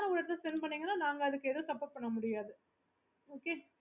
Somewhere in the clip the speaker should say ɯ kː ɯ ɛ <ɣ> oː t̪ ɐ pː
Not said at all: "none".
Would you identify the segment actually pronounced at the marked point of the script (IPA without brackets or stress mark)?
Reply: ð